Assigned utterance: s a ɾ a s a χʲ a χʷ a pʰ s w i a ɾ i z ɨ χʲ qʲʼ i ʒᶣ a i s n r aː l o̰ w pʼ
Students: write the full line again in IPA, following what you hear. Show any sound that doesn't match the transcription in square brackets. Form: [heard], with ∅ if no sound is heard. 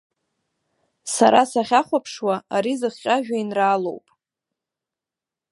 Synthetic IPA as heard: s a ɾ a s a χʲ a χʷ a pʰ [ʂ] w [a] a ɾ i z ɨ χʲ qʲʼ [a] ʒᶣ a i [∅] n r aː l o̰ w pʼ